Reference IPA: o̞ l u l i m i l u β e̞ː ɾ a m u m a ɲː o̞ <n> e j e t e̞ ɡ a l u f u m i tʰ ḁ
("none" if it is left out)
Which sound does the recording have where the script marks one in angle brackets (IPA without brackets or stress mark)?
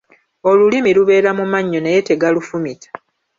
n